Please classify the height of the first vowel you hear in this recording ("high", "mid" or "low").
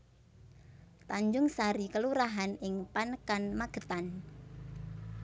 low